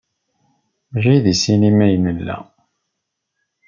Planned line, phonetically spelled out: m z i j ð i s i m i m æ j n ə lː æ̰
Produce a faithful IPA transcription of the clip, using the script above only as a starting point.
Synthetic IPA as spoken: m ʒ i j ð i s i n i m æ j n ə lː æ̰

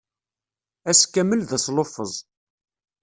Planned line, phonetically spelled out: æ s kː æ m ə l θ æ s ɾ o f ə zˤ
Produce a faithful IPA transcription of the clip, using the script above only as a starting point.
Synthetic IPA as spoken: æ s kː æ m ə l ð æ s l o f ə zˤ

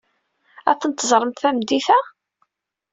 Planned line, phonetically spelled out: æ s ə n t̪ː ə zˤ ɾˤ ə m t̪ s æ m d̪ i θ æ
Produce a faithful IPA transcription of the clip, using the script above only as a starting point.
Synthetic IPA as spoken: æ θ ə n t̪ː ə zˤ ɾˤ ə m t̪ θ æ m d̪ i θ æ

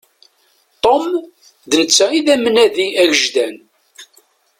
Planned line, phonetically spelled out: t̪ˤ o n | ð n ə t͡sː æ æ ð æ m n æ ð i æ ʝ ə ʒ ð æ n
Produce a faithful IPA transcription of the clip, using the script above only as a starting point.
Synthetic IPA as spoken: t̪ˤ o m | ð n ə t͡sː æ i ð æ m n æ ð i æ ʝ ə ʒ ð æ n

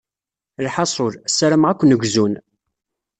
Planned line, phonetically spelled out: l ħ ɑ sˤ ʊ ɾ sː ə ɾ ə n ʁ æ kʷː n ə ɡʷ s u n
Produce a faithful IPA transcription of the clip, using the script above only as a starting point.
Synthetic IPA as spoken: l ħ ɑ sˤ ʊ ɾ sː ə ɾ ə m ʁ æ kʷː n ə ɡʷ z u n

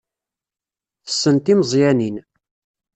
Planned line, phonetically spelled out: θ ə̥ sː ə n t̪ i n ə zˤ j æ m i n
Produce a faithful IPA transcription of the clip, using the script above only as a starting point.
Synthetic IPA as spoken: θ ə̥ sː ə n t̪ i m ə zˤ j æ n i n

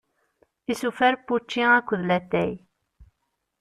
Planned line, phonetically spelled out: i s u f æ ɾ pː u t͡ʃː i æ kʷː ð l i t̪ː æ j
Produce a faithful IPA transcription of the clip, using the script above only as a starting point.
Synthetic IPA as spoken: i s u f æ ɾ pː u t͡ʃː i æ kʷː ð l æ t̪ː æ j

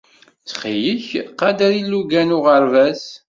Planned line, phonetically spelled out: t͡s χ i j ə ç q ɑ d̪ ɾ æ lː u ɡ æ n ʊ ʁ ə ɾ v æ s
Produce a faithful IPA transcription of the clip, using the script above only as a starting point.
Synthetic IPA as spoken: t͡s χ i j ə ç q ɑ d̪ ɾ i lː u ɡ æ n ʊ ʁ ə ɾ v æ s

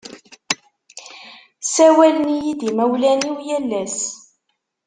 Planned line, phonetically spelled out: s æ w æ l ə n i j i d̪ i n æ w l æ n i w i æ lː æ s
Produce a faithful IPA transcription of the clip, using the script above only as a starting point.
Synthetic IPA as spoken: s æ w æ l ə n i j i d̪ i m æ w l æ n i w j æ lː æ s

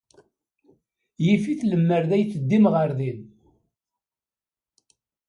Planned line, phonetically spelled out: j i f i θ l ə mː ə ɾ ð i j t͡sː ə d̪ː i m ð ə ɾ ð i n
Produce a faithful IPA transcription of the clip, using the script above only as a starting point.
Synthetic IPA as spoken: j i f i θ l ə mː ə ɾ ð æ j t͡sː ə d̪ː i m ʁ ə ɾ ð i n

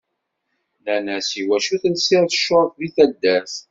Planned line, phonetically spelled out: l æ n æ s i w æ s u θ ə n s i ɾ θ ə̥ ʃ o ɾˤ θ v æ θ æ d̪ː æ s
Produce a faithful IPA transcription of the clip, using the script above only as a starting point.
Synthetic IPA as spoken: l æ n æ s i w æ ʃ u θ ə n s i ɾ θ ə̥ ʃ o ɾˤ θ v i θ æ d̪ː æ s

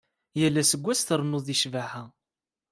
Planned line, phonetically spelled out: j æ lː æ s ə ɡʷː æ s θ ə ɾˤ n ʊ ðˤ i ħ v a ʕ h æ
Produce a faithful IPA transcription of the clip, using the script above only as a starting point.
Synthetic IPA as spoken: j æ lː æ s ə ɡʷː æ s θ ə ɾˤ n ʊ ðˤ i ʃ v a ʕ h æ

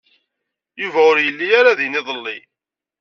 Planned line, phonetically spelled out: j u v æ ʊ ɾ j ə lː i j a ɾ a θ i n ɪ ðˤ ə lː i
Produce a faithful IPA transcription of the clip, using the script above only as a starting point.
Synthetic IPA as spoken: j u v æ ʊ ɾ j ə lː i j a ɾ a ð i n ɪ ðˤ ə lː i

